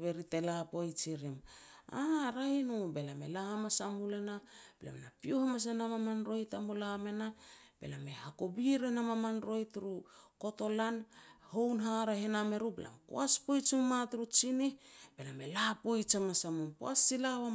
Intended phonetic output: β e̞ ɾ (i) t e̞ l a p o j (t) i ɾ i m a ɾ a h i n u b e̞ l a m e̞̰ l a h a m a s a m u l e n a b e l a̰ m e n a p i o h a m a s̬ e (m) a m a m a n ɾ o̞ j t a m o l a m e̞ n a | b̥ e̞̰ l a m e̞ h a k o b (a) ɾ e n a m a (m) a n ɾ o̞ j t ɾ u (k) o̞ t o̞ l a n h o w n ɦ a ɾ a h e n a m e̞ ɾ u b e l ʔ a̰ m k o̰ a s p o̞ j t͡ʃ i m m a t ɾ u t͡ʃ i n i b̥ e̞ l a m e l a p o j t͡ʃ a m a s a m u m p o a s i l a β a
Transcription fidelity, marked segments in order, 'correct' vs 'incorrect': correct, incorrect, incorrect, incorrect, correct, correct

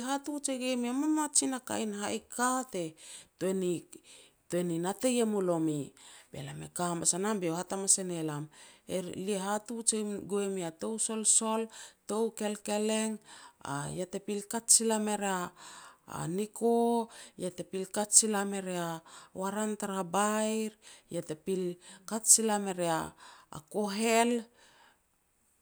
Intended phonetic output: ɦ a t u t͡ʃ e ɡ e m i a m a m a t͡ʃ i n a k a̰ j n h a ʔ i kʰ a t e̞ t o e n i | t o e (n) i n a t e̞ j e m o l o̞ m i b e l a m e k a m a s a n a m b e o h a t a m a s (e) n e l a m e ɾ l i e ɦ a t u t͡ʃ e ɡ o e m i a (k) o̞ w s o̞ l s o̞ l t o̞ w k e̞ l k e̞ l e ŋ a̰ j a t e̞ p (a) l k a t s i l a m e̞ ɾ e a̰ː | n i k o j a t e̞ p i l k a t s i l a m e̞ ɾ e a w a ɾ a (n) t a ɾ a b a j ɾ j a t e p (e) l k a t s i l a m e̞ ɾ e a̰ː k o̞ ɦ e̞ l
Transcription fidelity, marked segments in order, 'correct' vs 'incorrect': correct, correct, incorrect, incorrect, correct, incorrect

